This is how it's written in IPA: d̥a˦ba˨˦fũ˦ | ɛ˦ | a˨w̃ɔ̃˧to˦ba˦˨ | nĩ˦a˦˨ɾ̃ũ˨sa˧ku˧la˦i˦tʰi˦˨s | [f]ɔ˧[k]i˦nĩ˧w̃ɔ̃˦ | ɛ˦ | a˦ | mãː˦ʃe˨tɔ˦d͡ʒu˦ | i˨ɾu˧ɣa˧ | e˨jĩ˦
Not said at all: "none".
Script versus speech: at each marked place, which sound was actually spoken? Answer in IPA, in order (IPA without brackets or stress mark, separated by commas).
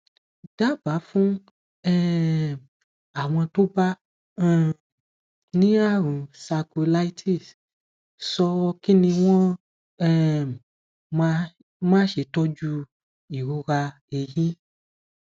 s, k